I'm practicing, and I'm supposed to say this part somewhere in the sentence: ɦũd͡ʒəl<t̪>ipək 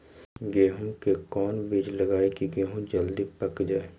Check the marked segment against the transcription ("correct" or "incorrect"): incorrect